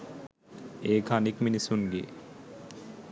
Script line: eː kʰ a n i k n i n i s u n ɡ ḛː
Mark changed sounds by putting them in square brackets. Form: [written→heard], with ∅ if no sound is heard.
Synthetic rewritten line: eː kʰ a n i k [n→m] i n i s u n ɡ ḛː